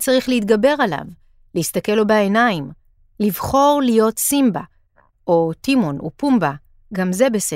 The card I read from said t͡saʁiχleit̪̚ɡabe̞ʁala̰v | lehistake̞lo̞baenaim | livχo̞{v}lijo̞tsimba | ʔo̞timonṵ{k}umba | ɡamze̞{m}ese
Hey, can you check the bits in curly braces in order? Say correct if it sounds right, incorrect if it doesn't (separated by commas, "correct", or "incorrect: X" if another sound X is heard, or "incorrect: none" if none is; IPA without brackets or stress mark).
incorrect: ʁ, incorrect: p, incorrect: b